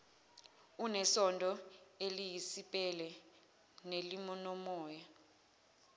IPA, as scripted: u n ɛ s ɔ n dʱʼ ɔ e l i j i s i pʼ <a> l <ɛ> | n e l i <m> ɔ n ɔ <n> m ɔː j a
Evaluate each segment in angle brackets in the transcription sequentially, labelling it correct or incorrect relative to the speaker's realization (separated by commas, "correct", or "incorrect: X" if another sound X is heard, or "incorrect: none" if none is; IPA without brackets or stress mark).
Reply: incorrect: ɛ, correct, correct, incorrect: none